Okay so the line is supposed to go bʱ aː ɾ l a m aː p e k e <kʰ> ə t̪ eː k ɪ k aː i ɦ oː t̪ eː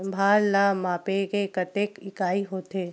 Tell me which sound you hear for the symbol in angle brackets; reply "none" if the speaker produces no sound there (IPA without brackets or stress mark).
k